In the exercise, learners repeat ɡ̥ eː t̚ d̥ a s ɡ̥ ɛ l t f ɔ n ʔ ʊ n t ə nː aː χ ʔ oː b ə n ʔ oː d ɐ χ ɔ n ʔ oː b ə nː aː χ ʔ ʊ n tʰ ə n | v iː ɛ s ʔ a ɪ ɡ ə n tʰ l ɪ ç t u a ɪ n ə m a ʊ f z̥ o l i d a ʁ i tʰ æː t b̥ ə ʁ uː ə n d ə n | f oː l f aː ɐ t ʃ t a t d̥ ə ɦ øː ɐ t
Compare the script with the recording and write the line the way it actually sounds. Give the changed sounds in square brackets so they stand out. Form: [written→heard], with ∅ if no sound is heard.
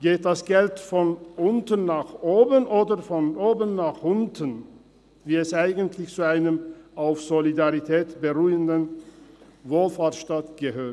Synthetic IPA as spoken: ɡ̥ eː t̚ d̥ a s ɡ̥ ɛ l t f ɔ n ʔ ʊ n t ə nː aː χ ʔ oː b ə n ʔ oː d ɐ [χ→f] ɔ n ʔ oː b ə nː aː χ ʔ ʊ n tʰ ə n | v iː ɛ s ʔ a ɪ ɡ ə n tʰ l ɪ ç [t→t͡s] u a ɪ n ə m a ʊ f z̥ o l i d a ʁ i tʰ [æː→ɛː] t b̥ ə ʁ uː ə n d ə n | [f→v] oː l f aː ɐ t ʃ t a t [d̥→ɡ̥] ə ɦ øː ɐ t

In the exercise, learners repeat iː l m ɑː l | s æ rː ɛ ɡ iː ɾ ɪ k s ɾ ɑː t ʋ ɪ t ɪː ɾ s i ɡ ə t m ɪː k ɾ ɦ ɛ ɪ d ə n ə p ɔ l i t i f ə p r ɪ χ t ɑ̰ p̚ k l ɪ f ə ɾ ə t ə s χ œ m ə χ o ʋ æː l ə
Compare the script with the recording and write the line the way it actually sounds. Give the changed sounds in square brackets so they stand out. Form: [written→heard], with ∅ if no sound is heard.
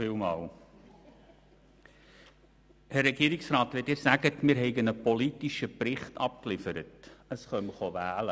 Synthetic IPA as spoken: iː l m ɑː l | [s→h] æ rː ɛ ɡ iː ɾ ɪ k s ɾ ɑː t ʋ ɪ t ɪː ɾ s [i→æ] ɡ ə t m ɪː [k→∅] ɾ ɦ ɛ ɪ [d→ɡ] ə n ə p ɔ l i t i [f→ʃ] ə p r ɪ χ t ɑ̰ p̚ k l ɪ f ə ɾ ə t ə s χ œ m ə χ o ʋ æː l ə

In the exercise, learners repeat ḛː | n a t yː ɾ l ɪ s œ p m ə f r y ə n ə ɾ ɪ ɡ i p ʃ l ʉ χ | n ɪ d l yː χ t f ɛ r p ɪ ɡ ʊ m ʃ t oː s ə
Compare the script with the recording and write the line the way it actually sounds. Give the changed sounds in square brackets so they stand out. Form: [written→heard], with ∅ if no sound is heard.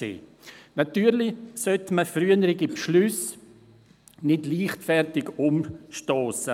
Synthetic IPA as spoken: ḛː | n a t yː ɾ l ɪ s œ [p→t] m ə f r y ə n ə ɾ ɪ ɡ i p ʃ l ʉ [χ→s] | n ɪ d l [yː→iː] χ t f ɛ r [p→t] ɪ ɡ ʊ m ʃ t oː s ə

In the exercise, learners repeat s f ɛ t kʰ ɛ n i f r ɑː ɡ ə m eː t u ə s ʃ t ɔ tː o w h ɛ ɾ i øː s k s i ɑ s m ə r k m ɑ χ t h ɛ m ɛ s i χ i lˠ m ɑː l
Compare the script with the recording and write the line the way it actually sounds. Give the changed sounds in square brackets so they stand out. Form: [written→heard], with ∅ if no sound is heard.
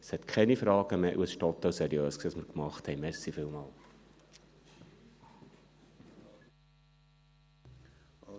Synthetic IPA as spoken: s [f→h] ɛ t kʰ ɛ n i f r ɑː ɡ ə m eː [t→ʔ] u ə s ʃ t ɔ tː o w [h→s] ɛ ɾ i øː s k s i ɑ s m ə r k m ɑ χ t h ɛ m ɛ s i [χ→f] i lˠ m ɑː l

